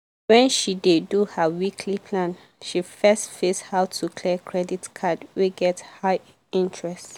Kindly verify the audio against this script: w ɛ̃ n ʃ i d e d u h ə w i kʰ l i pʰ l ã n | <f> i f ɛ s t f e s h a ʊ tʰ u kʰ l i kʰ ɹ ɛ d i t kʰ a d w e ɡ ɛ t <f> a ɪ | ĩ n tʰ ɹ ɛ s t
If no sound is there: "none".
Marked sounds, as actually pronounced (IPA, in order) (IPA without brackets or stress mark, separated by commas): ʃ, h